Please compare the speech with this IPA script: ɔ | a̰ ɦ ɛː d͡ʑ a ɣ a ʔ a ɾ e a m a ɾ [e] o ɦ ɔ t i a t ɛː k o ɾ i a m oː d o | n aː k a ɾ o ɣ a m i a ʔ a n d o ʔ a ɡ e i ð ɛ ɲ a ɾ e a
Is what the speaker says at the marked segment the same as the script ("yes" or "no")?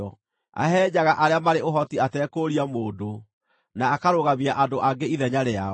yes